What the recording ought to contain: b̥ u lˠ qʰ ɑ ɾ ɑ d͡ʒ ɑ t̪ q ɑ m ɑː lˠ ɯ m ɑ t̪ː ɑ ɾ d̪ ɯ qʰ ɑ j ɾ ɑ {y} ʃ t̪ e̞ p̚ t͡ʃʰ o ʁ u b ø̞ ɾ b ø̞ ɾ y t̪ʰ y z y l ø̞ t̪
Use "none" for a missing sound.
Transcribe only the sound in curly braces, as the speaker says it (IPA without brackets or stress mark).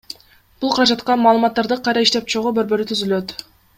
i